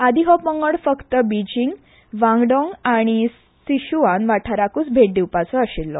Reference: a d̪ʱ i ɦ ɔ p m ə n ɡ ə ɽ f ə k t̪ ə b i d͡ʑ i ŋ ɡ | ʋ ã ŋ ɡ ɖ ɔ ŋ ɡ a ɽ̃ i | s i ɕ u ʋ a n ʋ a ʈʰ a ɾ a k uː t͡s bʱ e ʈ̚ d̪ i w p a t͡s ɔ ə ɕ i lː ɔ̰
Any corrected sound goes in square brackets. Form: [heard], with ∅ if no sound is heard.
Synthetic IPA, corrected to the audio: a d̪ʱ i ɦ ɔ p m ə [ŋ] ɡ ə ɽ f ə k t̪ ə b i d͡ʑ i ŋ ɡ | ʋ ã ŋ ɡ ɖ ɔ ŋ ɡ a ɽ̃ i | s i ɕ u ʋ a n ʋ a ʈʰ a ɾ a k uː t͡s bʱ e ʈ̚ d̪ i w p a t͡s ɔ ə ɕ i lː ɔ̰